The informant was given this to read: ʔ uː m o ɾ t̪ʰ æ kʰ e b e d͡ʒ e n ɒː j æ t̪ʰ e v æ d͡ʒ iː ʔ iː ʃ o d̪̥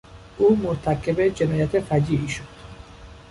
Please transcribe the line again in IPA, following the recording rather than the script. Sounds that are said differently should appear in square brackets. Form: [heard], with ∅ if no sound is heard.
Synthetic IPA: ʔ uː m o ɾ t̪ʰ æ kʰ e b e d͡ʒ e n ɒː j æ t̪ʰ e [f] æ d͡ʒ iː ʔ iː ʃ o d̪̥